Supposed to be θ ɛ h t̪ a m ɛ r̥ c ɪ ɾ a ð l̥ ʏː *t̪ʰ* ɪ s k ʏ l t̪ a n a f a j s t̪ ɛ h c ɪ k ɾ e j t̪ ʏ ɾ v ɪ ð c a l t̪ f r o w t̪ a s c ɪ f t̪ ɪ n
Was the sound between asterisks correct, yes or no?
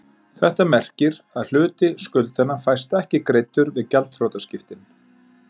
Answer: no